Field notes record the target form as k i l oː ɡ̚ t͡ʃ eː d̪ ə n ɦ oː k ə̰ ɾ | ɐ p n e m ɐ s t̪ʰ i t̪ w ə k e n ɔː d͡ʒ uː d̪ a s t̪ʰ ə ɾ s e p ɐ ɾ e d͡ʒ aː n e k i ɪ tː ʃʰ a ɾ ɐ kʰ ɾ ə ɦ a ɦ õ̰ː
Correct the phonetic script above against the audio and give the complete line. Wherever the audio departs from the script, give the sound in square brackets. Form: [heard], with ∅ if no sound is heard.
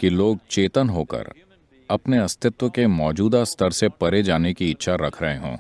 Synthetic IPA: k i l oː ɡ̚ t͡ʃ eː [t̪] ə n ɦ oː k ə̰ ɾ | ɐ p n e [∅] ɐ s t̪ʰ [ɪ] t̪ w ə k e [m] ɔː d͡ʒ uː d̪ a s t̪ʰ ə ɾ s e p ɐ ɾ e d͡ʒ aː n e k i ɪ tː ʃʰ a ɾ ɐ kʰ ɾ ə ɦ [e] ɦ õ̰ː

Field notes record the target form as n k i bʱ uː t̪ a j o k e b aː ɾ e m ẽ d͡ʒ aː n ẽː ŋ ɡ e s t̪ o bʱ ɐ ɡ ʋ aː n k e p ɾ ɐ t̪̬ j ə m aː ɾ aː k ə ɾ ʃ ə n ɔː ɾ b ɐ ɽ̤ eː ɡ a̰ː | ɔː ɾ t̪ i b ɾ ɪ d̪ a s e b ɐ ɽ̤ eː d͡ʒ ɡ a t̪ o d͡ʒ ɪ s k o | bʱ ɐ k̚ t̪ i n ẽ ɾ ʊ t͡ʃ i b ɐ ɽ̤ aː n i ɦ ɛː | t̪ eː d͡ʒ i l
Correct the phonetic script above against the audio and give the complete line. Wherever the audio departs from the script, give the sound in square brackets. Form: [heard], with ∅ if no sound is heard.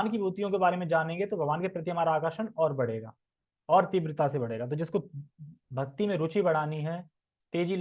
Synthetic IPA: n k i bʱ uː t̪ [i] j [õ] k e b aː ɾ e m ẽ d͡ʒ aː n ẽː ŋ ɡ e [∅] t̪ o bʱ ɐ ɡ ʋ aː n k e p ɾ ɐ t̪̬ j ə m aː ɾ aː k ə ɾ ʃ ə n ɔː ɾ b ɐ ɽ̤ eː ɡ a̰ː | ɔː ɾ t̪ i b ɾ ɪ [t̪] a s e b ɐ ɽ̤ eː [∅] ɡ a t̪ o d͡ʒ ɪ s k o | bʱ ɐ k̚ t̪ i [m] ẽ ɾ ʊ t͡ʃ i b ɐ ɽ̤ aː n i ɦ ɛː | t̪ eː d͡ʒ i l

